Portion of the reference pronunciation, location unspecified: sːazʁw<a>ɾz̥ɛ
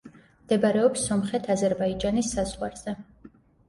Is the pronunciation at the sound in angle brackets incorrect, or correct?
correct